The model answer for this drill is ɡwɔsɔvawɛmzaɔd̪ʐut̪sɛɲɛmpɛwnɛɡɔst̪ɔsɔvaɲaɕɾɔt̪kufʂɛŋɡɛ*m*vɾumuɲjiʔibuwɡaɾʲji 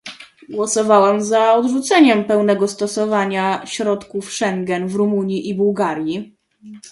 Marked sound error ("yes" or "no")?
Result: yes